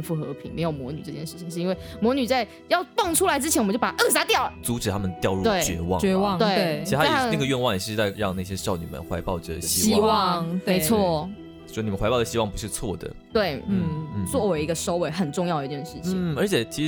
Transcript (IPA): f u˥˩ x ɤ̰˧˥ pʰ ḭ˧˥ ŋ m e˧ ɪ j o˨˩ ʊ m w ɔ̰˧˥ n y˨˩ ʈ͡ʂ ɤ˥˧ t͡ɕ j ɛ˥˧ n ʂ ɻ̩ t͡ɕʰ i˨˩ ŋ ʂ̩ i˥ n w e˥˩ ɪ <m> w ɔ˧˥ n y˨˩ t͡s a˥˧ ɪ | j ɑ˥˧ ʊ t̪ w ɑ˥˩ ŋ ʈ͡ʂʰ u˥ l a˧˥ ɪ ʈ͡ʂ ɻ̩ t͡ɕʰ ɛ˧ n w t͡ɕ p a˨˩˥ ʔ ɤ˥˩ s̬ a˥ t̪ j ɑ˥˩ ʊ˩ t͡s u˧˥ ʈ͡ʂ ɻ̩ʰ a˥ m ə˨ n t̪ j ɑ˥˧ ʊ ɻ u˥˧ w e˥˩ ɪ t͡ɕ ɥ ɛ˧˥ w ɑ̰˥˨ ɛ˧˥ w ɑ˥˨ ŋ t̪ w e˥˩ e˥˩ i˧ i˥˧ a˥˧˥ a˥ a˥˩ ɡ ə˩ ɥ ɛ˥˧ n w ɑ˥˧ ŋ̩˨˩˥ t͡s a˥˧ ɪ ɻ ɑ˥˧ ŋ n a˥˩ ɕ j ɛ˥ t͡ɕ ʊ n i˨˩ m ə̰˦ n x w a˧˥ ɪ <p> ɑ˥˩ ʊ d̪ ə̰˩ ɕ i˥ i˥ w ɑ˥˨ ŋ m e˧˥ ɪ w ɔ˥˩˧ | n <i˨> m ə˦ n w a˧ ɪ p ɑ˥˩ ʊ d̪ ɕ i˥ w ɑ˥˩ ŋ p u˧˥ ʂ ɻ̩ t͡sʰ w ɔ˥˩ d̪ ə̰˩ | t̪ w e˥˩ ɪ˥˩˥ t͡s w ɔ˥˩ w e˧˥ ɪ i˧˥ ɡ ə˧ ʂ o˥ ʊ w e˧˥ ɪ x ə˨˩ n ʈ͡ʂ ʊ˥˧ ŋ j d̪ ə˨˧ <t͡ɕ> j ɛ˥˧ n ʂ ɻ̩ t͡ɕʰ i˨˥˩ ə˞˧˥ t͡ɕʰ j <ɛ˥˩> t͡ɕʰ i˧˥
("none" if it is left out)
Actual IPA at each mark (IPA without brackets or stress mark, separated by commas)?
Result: m, p, i˨, t͡ɕ, ɛ˨˩